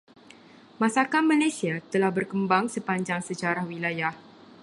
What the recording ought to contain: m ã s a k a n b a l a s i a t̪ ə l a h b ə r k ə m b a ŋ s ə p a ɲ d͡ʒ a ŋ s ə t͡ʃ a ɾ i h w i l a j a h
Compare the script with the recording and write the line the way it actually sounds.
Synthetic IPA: m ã s a k a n m a l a s i a t̪ ə l a h b ə r k ə m b a ŋ s ə p a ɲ d͡ʒ a ŋ s ə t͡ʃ a ɾ a h w i l a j a h

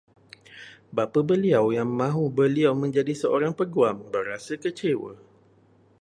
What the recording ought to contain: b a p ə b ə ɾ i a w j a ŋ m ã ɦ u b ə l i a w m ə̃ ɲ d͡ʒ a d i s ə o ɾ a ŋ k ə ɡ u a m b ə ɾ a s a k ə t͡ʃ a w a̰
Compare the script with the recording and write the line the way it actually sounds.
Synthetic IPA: b a p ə b ə l i a w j a ŋ m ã ɦ u b ə l i a w m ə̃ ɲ d͡ʒ a d i s ə o ɾ a ŋ p ə ɡ u a m b ə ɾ a s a k ə t͡ʃ e w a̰

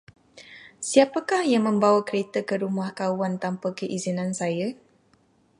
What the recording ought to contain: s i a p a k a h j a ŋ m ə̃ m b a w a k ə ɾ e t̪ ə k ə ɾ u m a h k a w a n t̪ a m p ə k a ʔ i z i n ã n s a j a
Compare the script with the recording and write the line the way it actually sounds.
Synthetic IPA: s i a p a k a h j a ŋ m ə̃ m b a w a k ə ɾ e t̪ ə k ə ɾ u m a h k a w a n t̪ a m p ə k ə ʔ i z i n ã n s a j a

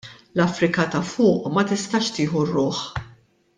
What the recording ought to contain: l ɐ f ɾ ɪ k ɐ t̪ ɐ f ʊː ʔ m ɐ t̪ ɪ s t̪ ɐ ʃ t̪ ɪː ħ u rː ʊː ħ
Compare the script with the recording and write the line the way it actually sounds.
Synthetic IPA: l ɐ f ɾ ɪ k ɐ t̪ ɐ f ʊː ʔ m ɐ t̪ ɪ s t̪ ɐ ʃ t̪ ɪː ħ u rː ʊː ħ

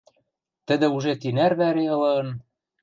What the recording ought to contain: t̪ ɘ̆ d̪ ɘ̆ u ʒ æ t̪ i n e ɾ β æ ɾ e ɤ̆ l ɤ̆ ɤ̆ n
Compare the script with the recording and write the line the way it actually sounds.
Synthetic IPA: t̪ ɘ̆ d̪ ɘ̆ u ʒ e t̪ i n æ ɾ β æ ɾ e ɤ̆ l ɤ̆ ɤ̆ n

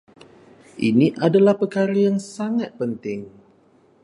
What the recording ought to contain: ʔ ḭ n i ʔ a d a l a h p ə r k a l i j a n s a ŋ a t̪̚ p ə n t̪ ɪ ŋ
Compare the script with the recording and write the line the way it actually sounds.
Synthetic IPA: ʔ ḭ n i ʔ a d a l a h p ə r k a ɾ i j a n s a ŋ a t̪̚ p ə n t̪ ɪ ŋ

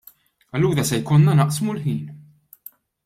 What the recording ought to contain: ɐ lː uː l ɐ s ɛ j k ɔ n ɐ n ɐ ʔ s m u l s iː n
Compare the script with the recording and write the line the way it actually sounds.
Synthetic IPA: ɐ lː uː ɾ ɐ s ɛ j k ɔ nː ɐ n ɐ ʔ s m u l ħ iː n

